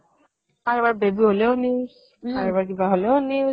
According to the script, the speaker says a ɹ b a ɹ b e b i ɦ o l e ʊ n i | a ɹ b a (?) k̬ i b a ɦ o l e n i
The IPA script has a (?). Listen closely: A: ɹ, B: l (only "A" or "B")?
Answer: A